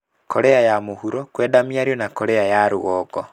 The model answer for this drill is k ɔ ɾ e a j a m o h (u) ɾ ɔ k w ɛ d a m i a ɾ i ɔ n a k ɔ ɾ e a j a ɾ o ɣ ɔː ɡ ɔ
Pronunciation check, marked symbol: correct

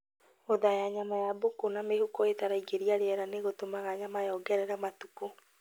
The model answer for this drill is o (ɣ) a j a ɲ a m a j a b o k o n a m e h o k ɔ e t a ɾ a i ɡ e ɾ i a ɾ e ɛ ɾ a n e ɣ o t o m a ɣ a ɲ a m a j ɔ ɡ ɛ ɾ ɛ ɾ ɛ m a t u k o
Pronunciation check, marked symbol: incorrect: ð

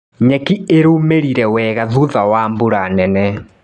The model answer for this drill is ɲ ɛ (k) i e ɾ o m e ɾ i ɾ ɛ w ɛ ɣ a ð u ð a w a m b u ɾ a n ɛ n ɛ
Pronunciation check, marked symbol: correct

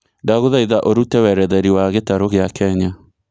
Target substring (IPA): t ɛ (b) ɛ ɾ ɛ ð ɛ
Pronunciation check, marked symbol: incorrect: w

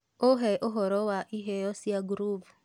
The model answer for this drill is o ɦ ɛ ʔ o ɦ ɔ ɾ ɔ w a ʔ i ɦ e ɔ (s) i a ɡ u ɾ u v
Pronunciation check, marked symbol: correct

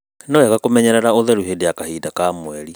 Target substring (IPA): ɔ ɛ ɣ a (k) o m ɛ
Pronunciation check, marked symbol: correct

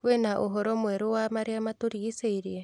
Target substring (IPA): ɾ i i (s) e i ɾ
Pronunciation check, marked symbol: correct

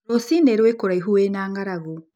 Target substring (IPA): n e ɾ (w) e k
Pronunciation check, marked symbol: correct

